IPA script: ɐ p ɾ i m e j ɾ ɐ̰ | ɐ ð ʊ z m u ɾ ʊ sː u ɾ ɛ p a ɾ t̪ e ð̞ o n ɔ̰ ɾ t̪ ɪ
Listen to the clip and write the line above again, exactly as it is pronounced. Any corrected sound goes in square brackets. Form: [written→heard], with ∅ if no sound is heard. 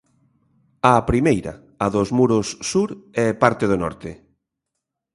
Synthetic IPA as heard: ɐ p ɾ i m e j ɾ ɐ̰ | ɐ ð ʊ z m u ɾ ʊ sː u ɾ ɛ p a ɾ t̪ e ð̞ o n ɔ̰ ɾ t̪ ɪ